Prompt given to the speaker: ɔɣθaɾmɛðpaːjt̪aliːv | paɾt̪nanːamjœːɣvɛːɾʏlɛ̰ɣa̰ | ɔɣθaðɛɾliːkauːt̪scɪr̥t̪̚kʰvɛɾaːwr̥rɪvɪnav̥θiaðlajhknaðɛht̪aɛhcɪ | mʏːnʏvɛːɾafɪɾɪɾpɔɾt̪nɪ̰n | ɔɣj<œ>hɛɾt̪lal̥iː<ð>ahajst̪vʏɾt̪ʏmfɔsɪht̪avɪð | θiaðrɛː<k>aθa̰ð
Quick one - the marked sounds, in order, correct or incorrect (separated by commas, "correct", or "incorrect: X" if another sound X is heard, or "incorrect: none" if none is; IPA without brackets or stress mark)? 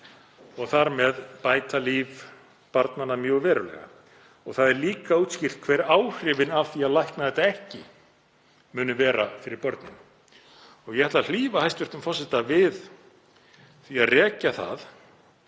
incorrect: ɛ, incorrect: v, incorrect: c